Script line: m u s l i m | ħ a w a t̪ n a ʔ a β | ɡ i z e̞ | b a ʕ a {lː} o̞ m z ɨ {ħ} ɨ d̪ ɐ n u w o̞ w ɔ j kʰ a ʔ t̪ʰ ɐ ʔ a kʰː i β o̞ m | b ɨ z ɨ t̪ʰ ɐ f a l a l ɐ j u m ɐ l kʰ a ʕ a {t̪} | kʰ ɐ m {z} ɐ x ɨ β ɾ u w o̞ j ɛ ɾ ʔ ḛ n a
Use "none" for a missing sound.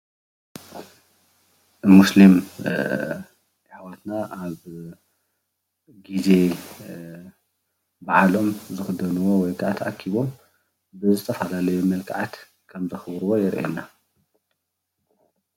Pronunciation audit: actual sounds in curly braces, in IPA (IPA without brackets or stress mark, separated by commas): l, x, t̪, z